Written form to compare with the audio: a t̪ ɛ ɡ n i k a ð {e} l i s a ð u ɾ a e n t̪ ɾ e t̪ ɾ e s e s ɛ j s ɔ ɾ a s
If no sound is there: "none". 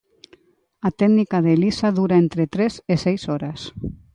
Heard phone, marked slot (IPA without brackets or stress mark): e